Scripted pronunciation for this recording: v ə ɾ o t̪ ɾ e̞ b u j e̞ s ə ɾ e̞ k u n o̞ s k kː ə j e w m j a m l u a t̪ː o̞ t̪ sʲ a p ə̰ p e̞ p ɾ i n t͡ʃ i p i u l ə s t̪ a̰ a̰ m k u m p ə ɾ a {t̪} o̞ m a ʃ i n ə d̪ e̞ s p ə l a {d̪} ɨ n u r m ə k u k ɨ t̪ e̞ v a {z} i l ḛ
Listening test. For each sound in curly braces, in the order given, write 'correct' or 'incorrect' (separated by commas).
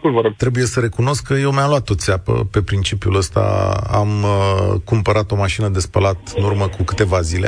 correct, incorrect, correct